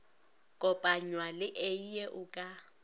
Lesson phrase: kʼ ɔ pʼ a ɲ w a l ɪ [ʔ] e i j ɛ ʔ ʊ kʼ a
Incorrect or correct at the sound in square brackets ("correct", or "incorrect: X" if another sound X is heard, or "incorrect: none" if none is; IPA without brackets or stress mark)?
correct